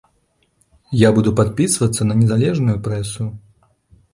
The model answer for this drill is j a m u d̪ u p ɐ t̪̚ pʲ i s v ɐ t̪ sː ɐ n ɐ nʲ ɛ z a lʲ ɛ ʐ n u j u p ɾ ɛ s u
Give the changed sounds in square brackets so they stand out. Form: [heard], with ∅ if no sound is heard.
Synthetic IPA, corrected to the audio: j a [b] u d̪ u p [a] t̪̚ pʲ i s v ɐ t̪ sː ɐ n ɐ nʲ ɛ z a lʲ ɛ ʐ n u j u p ɾ ɛ s u